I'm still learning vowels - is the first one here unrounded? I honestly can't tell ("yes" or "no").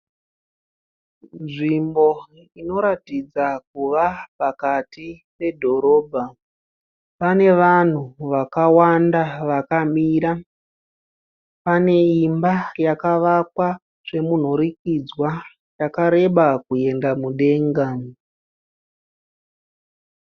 yes